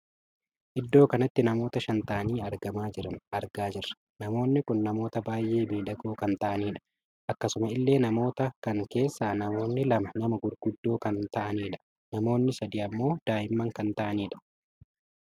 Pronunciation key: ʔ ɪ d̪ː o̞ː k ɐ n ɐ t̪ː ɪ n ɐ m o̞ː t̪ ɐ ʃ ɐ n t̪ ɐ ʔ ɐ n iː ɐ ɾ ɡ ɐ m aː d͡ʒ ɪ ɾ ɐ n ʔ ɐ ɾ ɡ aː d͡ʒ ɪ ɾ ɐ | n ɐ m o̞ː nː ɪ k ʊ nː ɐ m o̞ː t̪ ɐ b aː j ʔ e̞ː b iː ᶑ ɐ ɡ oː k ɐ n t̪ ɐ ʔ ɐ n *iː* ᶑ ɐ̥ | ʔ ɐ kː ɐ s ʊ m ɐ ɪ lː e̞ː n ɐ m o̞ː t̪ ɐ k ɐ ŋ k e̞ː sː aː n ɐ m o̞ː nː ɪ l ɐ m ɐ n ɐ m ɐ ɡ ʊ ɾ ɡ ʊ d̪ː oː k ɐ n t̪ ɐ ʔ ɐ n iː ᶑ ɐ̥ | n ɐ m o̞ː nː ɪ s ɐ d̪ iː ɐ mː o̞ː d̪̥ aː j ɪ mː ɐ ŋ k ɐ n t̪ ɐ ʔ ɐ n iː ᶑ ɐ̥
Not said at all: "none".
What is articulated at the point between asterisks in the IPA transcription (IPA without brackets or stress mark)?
iː